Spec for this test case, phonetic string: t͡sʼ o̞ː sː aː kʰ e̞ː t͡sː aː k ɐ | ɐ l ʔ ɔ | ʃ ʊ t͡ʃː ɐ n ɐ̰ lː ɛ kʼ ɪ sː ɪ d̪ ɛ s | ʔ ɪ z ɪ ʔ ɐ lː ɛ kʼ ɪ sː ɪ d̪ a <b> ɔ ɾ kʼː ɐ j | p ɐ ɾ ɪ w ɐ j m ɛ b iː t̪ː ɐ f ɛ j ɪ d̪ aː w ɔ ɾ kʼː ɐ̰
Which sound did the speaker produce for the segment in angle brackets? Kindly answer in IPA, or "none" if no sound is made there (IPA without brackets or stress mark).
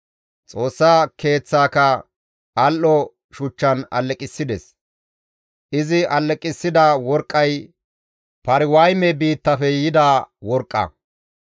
w